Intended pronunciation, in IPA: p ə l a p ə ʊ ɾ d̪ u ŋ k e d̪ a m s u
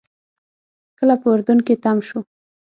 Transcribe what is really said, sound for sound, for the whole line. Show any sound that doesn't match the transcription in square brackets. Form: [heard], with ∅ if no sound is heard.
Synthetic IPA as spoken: [k] ə l a p ə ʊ ɾ d̪ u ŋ k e [t̪] a m [ʃ] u